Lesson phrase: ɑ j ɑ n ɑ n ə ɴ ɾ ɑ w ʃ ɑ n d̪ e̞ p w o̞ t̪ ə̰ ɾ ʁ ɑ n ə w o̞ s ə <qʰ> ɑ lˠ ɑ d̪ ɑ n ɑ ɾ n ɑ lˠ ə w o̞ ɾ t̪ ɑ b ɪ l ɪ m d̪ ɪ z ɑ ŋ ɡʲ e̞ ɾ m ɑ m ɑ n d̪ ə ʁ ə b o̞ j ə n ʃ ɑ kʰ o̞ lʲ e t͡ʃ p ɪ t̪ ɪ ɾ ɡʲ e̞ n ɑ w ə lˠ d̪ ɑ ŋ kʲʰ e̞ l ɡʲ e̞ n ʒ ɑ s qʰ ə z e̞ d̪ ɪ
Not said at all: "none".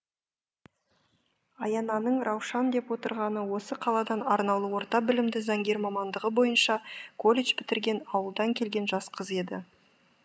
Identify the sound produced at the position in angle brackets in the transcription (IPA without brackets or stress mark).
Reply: qʰ